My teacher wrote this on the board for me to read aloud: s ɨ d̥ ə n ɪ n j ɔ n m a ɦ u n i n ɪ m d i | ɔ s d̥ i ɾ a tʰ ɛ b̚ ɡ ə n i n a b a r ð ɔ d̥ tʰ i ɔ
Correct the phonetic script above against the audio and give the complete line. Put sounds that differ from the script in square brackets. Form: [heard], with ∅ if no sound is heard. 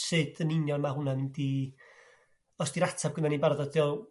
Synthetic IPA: s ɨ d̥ ə n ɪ n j ɔ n m a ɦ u n [a] n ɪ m d i | ɔ s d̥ i ɾ a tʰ [a] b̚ ɡ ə n [a] n [i] b a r ð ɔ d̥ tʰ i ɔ